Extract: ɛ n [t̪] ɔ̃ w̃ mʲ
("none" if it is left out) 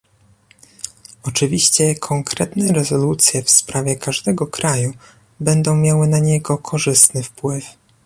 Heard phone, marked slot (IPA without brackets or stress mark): d̪